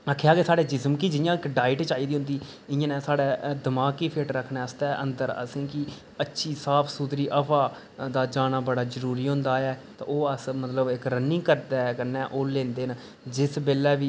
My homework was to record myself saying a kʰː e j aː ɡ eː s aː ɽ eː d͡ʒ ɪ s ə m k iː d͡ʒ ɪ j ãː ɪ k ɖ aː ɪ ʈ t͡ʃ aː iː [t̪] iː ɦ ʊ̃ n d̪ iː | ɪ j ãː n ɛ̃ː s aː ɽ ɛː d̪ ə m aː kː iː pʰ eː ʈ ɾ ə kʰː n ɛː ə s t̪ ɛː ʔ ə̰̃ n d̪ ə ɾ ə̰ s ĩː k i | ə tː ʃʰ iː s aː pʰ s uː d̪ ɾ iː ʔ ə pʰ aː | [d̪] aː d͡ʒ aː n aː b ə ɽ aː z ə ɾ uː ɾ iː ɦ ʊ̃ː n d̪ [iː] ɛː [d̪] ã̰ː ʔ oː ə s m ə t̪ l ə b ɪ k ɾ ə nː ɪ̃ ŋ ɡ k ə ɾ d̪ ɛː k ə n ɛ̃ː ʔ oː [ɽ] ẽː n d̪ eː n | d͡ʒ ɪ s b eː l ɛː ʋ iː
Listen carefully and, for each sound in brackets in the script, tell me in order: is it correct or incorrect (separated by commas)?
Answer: incorrect, correct, incorrect, incorrect, incorrect